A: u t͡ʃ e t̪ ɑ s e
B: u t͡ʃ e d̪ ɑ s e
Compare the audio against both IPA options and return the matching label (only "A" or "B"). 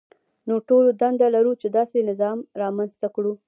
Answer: B